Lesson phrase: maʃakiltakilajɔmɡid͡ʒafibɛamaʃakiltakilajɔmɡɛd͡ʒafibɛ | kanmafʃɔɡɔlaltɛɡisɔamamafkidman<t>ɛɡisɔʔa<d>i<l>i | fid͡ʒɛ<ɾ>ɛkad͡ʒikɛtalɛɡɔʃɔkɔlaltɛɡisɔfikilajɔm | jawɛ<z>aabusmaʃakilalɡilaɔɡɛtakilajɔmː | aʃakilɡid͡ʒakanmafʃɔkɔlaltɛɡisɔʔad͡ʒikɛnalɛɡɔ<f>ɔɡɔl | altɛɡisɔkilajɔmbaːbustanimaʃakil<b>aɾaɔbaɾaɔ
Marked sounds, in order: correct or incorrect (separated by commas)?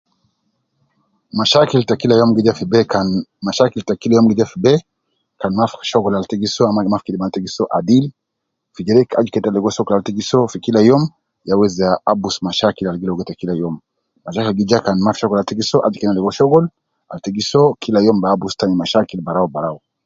correct, correct, correct, correct, correct, incorrect, correct